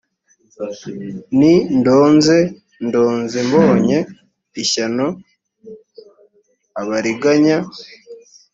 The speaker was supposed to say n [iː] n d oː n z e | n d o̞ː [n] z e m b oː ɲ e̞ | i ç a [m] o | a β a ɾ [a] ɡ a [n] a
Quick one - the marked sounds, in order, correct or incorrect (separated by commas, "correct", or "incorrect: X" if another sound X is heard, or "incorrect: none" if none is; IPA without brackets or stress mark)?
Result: incorrect: i, correct, incorrect: n, incorrect: i, incorrect: ɲ